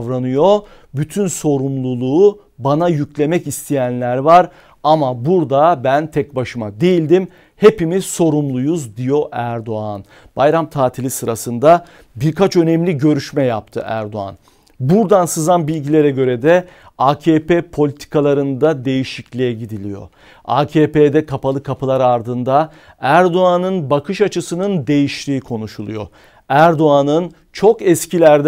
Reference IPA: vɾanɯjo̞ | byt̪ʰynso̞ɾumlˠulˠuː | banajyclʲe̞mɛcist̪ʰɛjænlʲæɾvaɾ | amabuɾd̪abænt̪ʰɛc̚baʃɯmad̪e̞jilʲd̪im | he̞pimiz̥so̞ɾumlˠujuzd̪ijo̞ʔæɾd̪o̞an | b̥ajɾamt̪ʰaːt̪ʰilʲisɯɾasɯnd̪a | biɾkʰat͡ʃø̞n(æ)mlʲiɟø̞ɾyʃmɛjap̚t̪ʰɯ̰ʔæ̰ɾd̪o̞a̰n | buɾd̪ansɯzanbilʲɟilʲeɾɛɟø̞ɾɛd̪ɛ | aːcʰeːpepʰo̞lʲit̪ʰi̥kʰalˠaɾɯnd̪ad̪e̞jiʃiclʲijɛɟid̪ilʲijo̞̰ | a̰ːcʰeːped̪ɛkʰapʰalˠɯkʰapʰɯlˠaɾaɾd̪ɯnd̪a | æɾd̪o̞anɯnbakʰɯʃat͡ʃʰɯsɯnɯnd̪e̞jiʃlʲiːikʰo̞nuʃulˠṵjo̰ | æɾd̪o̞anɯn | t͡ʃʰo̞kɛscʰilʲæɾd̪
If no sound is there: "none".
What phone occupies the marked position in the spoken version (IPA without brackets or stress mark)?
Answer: ɛ